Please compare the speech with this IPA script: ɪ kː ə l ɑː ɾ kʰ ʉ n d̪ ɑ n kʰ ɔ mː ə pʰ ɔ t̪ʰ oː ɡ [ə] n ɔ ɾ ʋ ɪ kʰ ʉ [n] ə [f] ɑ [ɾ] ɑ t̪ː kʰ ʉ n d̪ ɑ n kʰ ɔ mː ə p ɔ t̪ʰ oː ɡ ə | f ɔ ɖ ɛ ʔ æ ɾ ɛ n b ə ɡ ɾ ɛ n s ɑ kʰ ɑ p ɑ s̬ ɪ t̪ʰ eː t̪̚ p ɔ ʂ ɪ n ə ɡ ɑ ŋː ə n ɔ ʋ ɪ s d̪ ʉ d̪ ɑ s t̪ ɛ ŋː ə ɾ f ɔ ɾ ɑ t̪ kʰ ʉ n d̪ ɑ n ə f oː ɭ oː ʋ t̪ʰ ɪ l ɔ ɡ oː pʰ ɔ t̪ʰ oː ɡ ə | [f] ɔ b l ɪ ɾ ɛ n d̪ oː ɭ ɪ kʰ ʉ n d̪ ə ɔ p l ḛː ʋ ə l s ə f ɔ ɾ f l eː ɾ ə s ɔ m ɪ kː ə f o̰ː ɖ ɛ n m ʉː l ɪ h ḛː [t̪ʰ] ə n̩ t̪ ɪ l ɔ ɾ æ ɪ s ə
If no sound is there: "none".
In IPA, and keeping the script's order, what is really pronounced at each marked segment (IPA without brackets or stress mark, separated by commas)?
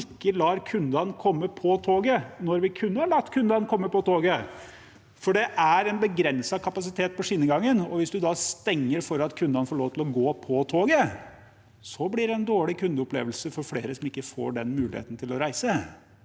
ə, nː, h, ɭ, s, t̪